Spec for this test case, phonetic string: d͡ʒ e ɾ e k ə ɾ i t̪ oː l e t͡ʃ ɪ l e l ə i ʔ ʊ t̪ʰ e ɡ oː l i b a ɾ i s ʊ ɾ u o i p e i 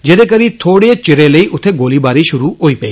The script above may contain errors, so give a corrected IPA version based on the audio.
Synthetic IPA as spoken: d͡ʒ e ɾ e k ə ɾ i t̪ʰ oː ɽ e t͡ʃ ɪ ɾ e l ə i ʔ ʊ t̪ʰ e ɡ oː l i b a ɾ i ʃ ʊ ɾ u o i p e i